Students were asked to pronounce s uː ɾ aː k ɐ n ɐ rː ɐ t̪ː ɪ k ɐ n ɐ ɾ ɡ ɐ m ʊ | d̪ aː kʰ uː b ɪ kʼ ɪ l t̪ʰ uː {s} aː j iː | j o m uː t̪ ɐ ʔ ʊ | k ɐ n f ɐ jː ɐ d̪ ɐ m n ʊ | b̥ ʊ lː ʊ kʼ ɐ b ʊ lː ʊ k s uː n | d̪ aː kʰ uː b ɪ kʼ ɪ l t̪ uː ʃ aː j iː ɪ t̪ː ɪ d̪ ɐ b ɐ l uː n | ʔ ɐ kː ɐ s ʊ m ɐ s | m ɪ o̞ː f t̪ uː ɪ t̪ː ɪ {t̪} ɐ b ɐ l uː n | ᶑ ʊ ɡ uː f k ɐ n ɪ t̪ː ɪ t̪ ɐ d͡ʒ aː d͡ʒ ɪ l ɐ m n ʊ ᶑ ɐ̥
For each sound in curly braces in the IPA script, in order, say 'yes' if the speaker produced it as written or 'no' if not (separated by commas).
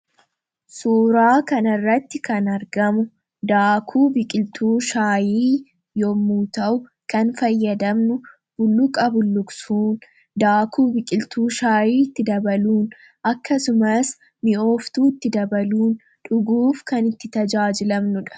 no, no